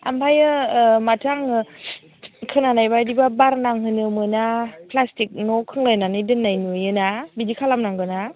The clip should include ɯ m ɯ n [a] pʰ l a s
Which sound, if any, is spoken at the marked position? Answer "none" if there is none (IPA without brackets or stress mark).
a